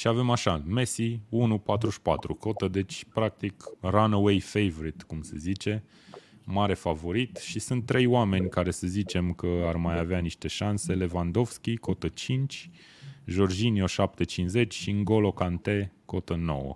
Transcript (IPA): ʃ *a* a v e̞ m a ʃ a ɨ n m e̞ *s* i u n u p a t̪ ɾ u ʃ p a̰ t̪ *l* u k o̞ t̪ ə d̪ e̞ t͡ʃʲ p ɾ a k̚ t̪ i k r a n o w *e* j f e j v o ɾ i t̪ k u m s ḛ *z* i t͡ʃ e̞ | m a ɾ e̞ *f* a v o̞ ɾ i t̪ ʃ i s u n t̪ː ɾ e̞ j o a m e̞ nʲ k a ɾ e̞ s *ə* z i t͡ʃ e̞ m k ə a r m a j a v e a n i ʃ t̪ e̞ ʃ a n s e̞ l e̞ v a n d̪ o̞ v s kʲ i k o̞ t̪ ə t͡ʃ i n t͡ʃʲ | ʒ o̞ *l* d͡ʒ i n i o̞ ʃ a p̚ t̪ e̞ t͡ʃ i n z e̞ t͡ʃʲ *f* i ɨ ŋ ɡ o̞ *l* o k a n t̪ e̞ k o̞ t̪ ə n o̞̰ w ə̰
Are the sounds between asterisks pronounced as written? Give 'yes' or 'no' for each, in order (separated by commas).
no, yes, no, yes, yes, yes, yes, no, no, yes